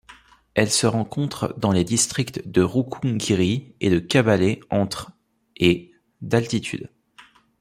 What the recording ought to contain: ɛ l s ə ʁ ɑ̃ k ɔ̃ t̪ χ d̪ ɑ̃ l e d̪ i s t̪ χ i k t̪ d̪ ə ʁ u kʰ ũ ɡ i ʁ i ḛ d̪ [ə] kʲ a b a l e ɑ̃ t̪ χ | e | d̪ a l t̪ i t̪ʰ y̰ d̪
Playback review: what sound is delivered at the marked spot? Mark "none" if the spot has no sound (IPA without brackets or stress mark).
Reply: ə